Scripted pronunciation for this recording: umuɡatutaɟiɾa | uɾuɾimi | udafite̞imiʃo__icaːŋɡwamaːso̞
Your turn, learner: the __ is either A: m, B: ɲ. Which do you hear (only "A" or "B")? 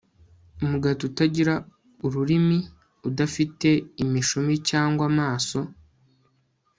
A